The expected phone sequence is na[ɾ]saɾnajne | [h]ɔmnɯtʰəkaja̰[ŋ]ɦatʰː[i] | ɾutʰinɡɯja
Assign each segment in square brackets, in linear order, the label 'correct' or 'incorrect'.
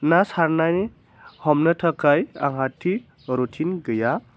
incorrect, correct, correct, correct

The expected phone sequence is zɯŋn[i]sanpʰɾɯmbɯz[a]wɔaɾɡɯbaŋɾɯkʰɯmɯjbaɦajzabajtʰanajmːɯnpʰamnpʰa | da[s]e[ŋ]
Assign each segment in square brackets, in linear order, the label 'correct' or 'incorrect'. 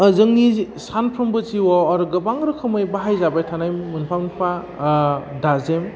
correct, incorrect, incorrect, incorrect

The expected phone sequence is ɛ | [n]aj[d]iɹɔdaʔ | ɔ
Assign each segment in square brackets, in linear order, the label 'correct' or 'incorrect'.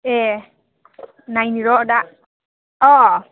correct, incorrect

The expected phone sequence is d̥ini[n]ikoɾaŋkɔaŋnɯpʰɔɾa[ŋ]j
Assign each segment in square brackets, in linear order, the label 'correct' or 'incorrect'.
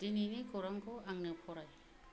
correct, incorrect

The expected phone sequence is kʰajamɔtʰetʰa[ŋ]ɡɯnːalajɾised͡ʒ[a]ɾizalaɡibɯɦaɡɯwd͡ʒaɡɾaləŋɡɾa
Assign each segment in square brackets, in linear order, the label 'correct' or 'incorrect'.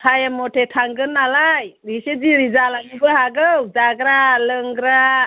correct, incorrect

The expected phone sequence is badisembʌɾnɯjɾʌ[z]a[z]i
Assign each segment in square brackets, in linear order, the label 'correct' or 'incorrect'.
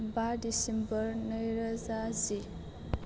correct, correct

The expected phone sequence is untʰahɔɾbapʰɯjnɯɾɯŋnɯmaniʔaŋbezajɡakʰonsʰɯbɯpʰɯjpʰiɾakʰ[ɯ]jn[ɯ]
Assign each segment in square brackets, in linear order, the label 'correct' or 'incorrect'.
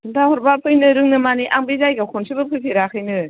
correct, correct

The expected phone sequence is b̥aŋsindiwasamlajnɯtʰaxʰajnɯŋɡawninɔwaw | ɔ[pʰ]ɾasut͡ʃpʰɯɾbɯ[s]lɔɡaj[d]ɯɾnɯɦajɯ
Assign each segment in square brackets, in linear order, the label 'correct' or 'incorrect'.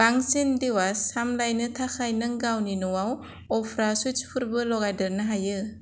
correct, incorrect, correct

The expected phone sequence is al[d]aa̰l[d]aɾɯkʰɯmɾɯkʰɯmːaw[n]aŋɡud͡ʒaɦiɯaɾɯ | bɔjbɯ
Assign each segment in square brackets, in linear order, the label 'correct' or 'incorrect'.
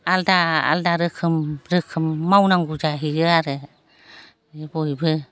correct, correct, correct

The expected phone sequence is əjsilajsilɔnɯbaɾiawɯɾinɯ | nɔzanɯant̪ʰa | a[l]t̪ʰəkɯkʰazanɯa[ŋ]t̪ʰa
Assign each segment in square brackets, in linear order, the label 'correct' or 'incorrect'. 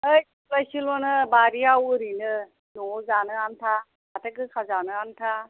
incorrect, incorrect

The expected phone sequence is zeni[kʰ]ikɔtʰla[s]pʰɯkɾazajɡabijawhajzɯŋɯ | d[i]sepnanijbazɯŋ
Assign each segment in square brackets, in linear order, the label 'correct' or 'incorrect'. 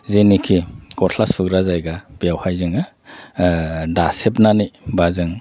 correct, correct, incorrect

